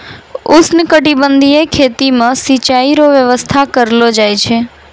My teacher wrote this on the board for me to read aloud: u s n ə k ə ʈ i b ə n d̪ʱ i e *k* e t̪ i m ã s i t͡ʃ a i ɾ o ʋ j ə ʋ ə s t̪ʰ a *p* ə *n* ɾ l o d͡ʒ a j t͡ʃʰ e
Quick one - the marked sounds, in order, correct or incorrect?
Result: incorrect: kʰ, incorrect: k, incorrect: none

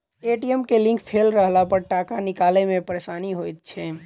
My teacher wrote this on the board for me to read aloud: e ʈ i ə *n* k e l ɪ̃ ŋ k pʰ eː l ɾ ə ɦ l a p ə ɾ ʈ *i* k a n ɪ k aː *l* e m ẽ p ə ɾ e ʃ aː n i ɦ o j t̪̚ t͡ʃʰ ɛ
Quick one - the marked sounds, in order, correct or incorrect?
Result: incorrect: m, incorrect: a, correct

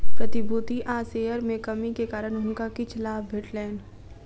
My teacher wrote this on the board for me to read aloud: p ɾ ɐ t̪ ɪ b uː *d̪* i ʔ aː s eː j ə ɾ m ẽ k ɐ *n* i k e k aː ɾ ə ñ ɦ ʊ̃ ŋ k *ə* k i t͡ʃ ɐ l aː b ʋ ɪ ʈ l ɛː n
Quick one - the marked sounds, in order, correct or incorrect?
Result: incorrect: t̪, incorrect: m, incorrect: a

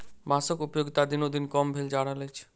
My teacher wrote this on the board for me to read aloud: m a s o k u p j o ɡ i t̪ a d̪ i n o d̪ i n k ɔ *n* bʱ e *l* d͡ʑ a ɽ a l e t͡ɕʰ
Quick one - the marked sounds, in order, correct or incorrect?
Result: incorrect: m, correct

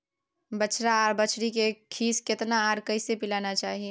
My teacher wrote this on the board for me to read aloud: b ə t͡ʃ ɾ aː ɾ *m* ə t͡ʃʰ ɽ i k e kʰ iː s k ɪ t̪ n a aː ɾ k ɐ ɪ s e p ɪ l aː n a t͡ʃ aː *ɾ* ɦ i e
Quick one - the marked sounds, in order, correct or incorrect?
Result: incorrect: b, incorrect: none

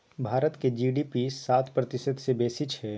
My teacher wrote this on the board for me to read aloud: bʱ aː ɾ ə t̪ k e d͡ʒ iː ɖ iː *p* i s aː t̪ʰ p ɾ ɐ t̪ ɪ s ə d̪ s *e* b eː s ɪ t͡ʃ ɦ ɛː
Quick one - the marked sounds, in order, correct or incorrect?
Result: correct, correct

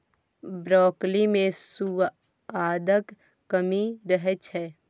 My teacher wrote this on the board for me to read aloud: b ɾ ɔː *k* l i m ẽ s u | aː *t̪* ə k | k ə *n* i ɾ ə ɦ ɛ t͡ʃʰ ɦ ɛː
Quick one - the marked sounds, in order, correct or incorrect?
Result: correct, incorrect: d̪, incorrect: m

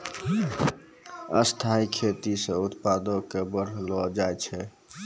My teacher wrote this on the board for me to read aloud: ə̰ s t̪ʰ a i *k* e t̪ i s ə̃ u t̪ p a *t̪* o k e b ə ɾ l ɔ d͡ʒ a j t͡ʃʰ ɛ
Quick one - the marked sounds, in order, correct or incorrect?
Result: incorrect: kʰ, incorrect: d̪

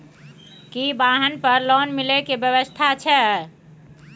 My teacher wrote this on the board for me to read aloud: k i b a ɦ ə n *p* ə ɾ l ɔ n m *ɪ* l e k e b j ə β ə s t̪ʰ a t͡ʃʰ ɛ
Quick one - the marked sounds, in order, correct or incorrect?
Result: correct, incorrect: i

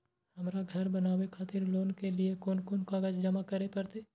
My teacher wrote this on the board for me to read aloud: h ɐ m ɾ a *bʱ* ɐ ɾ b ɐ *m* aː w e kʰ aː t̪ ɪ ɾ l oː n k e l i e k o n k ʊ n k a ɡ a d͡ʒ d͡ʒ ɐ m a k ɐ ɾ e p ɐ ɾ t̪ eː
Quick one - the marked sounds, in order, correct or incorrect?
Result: incorrect: ɡʱ, incorrect: n

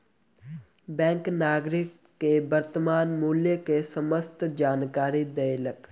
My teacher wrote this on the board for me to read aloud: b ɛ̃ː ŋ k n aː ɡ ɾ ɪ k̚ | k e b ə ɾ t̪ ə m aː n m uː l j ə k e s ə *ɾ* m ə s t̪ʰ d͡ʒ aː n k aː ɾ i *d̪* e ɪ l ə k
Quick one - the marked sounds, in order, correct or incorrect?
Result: incorrect: none, correct

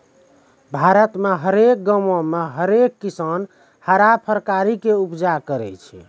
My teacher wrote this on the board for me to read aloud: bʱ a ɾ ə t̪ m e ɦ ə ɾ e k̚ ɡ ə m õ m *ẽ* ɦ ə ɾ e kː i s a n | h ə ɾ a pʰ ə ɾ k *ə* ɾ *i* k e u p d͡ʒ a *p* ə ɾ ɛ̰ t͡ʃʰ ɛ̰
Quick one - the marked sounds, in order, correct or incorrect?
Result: incorrect: e, incorrect: a, correct, incorrect: k

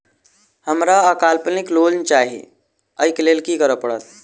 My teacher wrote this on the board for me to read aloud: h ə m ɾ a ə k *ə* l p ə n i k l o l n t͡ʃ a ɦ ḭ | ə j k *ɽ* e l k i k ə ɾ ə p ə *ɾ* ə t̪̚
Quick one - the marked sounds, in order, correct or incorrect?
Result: incorrect: a, incorrect: l, incorrect: ɽ

